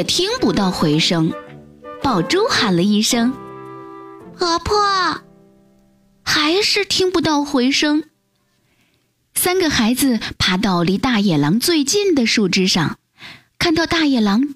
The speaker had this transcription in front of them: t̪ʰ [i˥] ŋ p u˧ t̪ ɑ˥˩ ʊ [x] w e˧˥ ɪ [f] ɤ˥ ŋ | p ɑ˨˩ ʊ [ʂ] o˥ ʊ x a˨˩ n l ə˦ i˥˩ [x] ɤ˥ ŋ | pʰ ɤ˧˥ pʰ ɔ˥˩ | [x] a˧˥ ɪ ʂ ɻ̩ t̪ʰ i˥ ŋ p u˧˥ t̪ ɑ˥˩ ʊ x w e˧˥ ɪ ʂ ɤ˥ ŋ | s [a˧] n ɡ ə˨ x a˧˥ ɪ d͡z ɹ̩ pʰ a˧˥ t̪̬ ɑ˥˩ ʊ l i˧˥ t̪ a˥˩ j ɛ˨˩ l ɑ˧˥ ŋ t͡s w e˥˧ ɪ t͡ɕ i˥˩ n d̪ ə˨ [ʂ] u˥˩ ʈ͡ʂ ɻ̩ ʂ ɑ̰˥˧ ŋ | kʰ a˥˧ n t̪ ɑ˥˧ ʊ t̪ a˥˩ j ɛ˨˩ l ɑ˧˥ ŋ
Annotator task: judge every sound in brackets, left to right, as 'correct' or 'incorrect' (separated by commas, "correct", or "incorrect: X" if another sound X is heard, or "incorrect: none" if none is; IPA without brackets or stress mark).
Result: correct, correct, incorrect: ʂ, incorrect: ʈ͡ʂ, incorrect: ʂ, correct, incorrect: a˥, correct